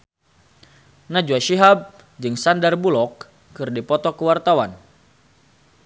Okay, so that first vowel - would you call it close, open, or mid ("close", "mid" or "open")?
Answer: open